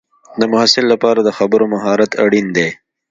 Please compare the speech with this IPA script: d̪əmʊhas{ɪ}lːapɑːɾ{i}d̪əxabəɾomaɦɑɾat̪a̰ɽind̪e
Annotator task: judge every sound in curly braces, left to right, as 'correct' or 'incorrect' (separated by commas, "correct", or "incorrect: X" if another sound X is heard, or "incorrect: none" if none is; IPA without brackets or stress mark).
correct, incorrect: a